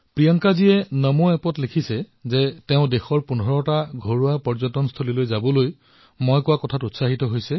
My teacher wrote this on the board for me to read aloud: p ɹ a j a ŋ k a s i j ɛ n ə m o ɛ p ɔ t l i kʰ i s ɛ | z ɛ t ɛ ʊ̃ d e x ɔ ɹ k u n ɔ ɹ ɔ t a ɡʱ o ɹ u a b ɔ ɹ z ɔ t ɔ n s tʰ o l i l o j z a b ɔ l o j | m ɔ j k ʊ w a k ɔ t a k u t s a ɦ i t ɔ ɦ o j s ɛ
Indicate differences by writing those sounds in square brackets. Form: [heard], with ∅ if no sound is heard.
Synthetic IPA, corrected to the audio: p ɹ [i] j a ŋ k a [z] i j ɛ n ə m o ɛ p ɔ t l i kʰ i s ɛ | z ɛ t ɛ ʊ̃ d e x ɔ ɹ [p] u n ɔ ɹ ɔ t a ɡʱ o ɹ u a [p] ɔ ɹ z ɔ t ɔ n s tʰ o l i l o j z a b ɔ l o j | m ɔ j k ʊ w a k ɔ [tʰ] a [t] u t s a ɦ i t ɔ ɦ o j s ɛ